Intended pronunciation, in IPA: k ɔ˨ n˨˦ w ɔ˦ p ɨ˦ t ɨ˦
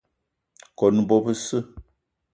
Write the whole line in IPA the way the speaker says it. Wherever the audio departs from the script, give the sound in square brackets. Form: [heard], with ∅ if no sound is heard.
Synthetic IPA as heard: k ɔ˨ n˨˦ [b] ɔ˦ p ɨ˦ [s] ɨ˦